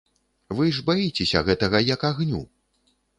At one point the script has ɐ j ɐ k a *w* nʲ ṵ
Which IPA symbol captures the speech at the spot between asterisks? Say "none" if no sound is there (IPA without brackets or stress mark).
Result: ɣ